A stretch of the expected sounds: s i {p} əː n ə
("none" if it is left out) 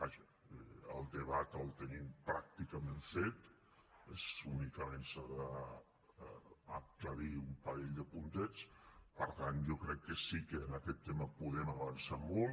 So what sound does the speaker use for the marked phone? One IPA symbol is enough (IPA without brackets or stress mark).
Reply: k